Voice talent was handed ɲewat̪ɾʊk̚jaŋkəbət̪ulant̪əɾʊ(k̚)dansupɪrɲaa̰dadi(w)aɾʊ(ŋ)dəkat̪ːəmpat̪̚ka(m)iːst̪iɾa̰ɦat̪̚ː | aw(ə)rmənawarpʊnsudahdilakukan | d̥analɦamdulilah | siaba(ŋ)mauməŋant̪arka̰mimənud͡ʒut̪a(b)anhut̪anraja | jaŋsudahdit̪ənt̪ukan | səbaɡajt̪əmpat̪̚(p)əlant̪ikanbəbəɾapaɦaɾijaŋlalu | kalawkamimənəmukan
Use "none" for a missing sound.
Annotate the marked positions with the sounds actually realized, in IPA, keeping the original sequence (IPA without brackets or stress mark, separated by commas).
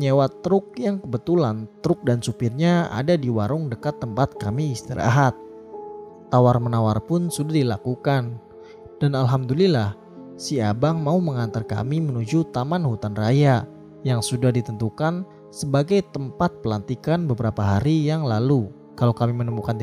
k̚, w, ŋ, m, a, ŋ, m, p